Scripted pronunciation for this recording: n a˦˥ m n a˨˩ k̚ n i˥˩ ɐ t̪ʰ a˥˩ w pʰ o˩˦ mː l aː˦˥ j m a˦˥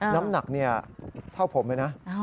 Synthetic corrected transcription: n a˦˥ m n a˨˩ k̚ n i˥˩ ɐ t̪ʰ a˥˩ w pʰ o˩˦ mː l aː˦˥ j n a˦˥